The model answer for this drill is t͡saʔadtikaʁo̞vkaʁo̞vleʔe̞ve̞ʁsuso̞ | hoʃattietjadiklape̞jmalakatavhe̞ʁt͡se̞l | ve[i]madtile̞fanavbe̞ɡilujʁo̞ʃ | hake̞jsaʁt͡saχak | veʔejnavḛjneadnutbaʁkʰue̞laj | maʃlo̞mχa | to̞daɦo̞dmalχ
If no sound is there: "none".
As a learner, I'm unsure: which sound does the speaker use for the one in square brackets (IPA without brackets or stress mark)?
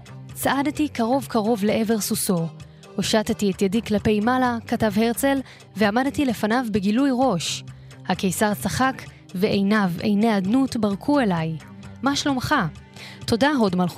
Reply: a